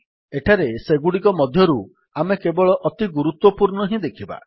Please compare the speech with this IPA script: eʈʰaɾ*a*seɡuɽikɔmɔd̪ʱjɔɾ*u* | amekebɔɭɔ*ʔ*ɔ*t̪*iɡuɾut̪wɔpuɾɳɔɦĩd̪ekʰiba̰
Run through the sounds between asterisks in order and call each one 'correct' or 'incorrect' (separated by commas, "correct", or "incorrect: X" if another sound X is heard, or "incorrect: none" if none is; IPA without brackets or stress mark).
incorrect: e, correct, correct, correct